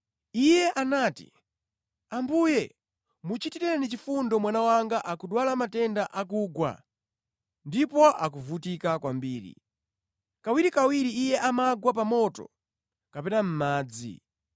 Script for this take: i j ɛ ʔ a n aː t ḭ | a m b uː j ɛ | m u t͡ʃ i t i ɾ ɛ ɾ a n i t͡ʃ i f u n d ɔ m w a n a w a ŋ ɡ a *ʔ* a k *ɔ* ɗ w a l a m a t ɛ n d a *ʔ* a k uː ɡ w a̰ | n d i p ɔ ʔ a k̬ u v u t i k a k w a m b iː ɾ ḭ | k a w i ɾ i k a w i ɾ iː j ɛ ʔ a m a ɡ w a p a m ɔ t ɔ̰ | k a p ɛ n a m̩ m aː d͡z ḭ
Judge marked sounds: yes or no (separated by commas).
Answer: yes, no, yes